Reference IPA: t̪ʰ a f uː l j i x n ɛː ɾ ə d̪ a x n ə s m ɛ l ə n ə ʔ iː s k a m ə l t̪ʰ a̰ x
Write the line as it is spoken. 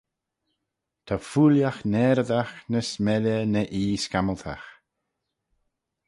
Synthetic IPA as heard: t̪ʰ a f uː l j a x n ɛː ɾ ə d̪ a x n ə s m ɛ l ə n ə ʔ iː s k a m ə l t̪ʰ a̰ x